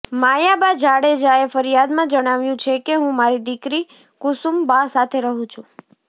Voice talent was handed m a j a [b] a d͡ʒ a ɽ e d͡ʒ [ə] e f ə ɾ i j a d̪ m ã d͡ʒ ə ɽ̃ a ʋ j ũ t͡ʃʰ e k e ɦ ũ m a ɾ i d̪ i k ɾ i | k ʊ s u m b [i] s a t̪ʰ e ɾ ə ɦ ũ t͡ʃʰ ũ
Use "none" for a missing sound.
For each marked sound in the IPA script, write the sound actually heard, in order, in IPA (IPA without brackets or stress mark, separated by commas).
b, a, a